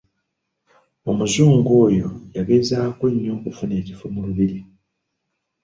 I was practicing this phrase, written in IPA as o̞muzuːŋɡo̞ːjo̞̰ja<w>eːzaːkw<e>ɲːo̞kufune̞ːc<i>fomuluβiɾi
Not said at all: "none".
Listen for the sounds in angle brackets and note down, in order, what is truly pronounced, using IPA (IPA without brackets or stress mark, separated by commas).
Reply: β, e, i